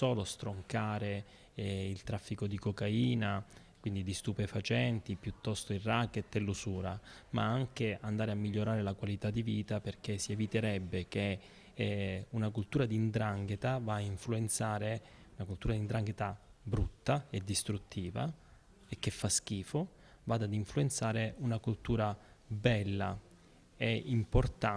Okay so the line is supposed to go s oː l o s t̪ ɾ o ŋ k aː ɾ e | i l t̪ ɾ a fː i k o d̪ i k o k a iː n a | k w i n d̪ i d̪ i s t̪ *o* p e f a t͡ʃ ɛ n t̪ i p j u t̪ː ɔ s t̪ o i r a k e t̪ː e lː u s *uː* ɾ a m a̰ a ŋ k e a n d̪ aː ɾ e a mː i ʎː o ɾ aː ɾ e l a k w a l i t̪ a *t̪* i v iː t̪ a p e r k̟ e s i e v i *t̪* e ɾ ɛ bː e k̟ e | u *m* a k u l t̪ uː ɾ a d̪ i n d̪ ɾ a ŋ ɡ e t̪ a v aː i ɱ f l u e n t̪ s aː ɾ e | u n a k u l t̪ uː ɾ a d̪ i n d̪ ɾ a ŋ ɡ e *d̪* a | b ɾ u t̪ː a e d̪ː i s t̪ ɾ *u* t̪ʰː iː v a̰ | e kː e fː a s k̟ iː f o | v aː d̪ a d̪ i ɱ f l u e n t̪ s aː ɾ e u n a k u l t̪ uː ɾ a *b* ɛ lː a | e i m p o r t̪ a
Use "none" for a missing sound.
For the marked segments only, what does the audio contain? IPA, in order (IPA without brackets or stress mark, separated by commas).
u, uː, d̪, t̪, n, t̪, u, b